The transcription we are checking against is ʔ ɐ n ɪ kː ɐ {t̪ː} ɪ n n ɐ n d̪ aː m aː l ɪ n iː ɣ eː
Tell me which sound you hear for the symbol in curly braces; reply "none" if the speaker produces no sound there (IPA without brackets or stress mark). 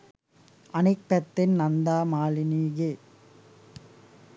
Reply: t̪ː